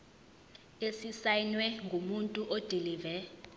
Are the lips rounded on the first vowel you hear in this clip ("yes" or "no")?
no